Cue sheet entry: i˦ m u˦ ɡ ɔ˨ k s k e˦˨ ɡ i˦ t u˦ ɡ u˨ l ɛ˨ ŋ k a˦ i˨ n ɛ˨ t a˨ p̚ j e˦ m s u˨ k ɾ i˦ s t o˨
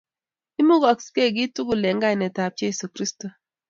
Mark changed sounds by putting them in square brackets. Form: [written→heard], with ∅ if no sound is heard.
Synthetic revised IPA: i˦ m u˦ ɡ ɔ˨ k s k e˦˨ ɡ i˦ t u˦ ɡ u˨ l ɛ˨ ŋ [k→ɡ] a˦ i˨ n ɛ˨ t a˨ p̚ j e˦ [m→∅] s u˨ k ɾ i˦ s t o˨